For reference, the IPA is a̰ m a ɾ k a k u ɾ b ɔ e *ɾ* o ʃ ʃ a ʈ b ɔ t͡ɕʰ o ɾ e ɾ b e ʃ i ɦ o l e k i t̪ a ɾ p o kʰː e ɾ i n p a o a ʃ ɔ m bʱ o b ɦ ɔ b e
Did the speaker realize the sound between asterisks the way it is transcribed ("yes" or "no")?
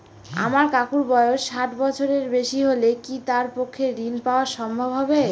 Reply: no